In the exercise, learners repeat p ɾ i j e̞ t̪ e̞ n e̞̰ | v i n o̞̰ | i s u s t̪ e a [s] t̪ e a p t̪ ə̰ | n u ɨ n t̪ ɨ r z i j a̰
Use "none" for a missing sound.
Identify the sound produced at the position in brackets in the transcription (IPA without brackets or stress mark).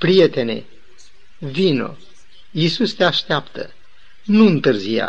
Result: ʃ